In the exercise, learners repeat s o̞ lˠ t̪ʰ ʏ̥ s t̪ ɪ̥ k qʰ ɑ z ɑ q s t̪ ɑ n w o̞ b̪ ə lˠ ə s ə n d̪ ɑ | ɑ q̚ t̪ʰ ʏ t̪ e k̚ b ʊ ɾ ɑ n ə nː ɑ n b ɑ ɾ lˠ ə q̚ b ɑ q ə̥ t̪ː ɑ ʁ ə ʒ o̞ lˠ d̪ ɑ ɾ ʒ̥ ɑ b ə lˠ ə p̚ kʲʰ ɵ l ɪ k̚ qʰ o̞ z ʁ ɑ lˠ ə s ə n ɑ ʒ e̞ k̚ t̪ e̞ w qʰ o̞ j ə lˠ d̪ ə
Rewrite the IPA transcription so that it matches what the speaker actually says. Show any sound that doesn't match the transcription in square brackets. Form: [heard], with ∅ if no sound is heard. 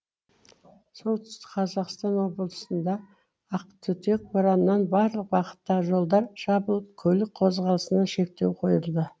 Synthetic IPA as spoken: s o̞ lˠ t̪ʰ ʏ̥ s t̪ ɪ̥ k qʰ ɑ z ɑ q s t̪ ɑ n w o̞ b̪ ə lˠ ə s ə n d̪ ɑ | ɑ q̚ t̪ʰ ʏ t̪ e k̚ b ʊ ɾ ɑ n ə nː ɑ n b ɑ ɾ lˠ ə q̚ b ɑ q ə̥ t̪ː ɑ ʁ ə ʒ o̞ lˠ d̪ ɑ ɾ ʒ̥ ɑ b ə lˠ ə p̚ kʲʰ ɵ l ɪ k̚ qʰ o̞ z ʁ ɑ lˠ ə s ə n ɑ [ʃ] e̞ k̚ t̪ e̞ w qʰ o̞ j ə lˠ d̪ ə